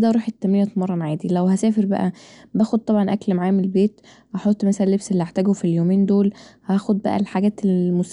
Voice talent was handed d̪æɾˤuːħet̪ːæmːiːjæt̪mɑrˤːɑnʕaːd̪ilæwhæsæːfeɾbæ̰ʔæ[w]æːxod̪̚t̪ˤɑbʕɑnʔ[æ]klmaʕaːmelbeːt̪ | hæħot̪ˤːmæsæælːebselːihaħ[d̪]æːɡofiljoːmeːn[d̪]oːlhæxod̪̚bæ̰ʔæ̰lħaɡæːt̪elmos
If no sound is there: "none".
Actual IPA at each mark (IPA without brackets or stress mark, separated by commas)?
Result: b, æ, t̪, d̪